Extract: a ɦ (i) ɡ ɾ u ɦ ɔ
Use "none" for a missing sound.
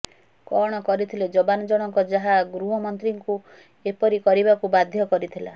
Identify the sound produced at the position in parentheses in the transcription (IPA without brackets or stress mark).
a